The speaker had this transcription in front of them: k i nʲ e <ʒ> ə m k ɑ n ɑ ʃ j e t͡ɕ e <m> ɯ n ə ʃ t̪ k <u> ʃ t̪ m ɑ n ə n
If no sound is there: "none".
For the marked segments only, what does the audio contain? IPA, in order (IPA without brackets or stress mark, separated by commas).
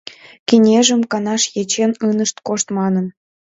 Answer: ʒ, n, o